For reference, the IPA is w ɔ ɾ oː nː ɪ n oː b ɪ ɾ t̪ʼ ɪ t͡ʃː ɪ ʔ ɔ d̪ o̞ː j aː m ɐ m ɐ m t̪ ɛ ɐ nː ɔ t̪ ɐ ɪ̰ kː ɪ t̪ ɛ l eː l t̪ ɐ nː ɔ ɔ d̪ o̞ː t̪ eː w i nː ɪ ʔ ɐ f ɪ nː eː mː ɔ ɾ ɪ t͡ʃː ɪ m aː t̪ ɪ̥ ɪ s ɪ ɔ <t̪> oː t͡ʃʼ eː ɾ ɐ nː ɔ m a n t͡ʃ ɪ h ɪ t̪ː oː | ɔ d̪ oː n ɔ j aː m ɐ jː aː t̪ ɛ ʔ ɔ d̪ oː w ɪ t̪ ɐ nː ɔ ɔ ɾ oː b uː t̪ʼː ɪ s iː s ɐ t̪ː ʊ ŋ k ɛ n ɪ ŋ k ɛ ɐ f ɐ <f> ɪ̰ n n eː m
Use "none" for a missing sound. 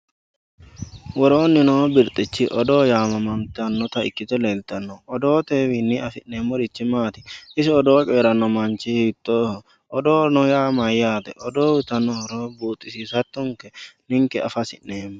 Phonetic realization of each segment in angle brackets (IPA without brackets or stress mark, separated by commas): d̪, s